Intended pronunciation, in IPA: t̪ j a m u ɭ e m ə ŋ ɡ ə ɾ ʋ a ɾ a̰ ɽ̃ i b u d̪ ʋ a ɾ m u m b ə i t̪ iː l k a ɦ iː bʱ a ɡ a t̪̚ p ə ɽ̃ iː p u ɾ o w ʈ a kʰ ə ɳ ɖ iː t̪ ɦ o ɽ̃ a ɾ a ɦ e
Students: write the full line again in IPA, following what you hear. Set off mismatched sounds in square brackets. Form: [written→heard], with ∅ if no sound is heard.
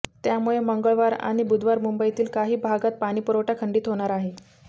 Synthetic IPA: t̪ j a m u ɭ e m ə ŋ ɡ ə [ɾ→ɭ] ʋ a ɾ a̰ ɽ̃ i b u d̪ ʋ a ɾ m u m b ə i t̪ iː l k a ɦ iː bʱ a ɡ a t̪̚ p [ə→a] ɽ̃ iː p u ɾ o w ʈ a kʰ ə ɳ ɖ iː t̪ ɦ o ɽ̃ a ɾ a ɦ e